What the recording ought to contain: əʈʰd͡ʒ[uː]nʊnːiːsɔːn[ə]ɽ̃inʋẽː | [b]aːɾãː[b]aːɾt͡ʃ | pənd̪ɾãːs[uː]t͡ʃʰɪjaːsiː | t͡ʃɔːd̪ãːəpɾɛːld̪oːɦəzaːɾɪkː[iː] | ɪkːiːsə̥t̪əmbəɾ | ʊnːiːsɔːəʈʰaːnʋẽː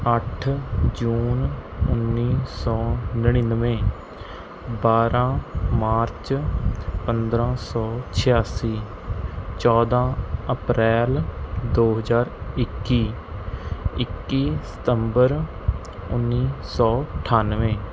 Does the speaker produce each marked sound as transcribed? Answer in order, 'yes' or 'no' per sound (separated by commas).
yes, yes, yes, no, no, yes